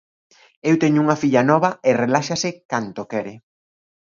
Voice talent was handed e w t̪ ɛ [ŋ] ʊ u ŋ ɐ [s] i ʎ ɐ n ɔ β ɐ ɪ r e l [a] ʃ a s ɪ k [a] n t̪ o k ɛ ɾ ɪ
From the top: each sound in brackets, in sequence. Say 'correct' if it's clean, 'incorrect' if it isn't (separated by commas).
incorrect, incorrect, correct, correct